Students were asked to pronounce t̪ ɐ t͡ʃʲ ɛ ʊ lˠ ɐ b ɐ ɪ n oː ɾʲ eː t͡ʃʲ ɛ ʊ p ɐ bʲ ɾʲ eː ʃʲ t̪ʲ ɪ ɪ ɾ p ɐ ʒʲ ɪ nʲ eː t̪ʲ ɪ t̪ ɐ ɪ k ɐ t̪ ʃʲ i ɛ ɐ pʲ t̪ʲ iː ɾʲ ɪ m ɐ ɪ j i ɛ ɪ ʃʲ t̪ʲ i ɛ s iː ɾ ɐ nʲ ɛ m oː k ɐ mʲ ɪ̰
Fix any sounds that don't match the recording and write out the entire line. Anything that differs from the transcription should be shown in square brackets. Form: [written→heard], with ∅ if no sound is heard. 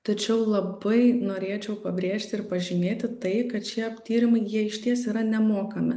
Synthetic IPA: t̪ ɐ t͡ʃʲ ɛ ʊ lˠ ɐ b ɐ ɪ n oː ɾʲ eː t͡ʃʲ ɛ ʊ p ɐ bʲ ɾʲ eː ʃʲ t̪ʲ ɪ ɪ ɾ p ɐ ʒʲ ɪ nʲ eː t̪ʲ ɪ t̪ ɐ ɪ k ɐ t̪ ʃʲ i ɛ ɐ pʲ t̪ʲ iː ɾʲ ɪ m ɐ ɪ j i ɛ ɪ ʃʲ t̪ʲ i ɛ s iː ɾ ɐ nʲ ɛ m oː k ɐ mʲ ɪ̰